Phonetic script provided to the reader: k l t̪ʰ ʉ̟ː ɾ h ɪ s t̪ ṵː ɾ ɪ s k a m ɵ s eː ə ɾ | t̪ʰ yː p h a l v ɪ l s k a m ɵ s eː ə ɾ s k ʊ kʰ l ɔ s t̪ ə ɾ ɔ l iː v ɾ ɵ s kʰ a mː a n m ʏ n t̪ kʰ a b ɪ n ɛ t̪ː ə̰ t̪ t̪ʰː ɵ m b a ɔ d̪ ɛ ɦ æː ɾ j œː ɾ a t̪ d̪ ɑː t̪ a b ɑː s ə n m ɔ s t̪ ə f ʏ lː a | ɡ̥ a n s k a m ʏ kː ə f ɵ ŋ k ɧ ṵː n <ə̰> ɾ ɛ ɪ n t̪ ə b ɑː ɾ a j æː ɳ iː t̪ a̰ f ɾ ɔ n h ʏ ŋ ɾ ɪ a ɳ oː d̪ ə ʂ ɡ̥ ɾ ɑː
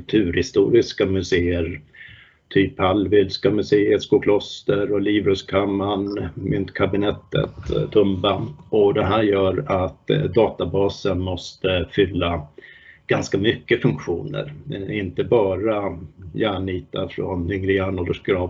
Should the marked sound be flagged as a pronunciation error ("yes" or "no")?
no